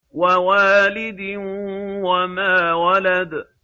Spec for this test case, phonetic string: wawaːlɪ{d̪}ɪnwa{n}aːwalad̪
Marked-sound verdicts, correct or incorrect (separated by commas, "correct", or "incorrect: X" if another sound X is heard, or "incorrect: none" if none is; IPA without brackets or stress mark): correct, incorrect: m